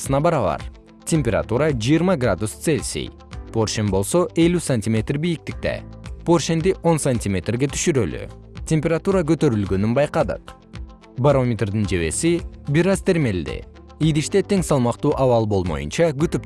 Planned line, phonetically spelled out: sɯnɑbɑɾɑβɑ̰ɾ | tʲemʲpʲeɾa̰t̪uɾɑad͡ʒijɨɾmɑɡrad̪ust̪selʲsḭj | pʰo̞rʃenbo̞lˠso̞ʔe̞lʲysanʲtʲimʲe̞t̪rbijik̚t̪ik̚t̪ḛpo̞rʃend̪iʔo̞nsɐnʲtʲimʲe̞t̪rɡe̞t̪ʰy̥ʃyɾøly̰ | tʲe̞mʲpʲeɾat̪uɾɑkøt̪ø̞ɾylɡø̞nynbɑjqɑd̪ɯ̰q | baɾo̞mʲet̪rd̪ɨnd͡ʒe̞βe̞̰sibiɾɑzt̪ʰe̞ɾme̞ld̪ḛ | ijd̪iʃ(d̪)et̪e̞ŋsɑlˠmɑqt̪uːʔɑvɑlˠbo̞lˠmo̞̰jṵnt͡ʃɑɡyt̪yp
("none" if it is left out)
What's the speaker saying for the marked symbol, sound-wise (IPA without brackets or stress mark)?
t̪